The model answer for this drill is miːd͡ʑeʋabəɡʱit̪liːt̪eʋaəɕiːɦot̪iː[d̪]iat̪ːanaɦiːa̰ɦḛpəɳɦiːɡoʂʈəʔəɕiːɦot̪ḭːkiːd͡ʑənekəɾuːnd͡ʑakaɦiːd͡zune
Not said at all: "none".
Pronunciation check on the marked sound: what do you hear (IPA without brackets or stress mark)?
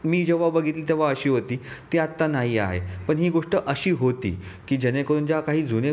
t̪